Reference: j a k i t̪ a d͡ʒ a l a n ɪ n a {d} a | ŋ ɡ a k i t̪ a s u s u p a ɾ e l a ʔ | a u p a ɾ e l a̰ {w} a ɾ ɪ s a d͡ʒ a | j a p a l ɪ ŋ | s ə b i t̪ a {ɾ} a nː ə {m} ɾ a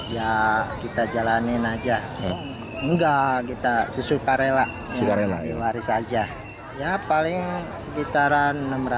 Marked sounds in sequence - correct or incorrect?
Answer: incorrect, correct, correct, correct

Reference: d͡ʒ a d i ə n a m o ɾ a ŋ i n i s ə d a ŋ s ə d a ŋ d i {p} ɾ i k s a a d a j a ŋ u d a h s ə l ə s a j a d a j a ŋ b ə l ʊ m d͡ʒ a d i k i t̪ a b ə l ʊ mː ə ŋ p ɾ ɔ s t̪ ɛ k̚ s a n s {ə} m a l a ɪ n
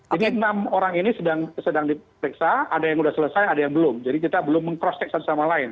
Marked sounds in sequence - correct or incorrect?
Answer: correct, incorrect

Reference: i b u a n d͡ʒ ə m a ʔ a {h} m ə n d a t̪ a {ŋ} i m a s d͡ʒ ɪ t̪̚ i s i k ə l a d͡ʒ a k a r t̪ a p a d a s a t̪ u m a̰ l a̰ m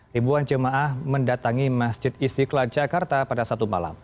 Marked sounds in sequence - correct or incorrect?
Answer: correct, correct

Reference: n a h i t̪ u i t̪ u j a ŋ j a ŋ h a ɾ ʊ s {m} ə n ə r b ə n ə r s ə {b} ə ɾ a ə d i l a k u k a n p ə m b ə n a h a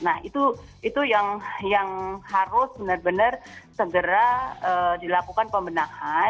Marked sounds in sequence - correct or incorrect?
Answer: incorrect, incorrect

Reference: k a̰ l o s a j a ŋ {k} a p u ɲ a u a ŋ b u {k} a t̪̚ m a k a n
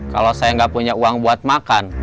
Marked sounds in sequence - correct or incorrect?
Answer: incorrect, incorrect

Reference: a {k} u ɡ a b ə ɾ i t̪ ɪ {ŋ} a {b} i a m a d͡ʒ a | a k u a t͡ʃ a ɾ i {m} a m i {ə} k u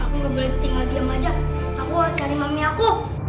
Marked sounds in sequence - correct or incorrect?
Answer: correct, correct, incorrect, correct, incorrect

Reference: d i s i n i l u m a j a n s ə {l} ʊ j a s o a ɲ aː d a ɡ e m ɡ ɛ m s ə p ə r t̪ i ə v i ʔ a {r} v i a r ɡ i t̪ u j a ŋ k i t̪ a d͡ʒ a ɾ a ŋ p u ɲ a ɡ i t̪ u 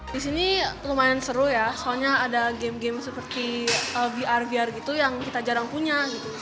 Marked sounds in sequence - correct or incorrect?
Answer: incorrect, correct

